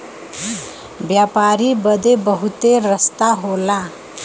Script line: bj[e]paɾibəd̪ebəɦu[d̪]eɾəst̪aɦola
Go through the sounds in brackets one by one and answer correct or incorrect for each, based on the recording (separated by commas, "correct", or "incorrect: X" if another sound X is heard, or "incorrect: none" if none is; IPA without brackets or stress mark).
incorrect: a, incorrect: t̪